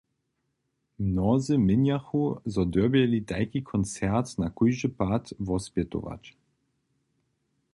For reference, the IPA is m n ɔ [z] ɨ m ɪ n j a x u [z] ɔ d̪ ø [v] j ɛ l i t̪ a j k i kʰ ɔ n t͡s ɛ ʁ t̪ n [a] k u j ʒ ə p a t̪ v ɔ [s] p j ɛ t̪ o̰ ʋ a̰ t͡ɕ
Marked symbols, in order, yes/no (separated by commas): yes, yes, no, yes, yes